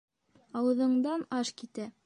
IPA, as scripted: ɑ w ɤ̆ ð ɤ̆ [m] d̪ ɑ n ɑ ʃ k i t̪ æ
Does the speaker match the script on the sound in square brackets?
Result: no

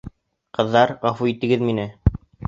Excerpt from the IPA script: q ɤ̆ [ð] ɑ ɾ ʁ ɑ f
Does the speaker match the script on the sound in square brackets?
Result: no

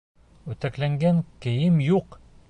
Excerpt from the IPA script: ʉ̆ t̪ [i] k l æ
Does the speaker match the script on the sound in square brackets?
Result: no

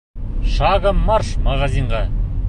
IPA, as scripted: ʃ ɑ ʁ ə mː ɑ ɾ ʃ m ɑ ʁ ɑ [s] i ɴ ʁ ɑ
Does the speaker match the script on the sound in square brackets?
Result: no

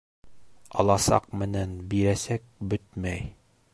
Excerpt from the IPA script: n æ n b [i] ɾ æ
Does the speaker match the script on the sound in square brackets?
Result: yes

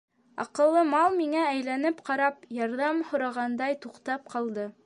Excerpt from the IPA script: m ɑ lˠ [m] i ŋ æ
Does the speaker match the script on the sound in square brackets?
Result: yes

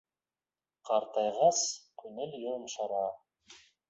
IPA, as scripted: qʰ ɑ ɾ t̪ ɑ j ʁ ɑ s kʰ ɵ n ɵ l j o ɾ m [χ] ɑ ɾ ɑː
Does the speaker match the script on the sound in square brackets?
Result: no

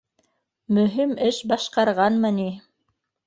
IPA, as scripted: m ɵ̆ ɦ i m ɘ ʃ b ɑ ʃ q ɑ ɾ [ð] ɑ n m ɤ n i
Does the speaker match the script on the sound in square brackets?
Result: no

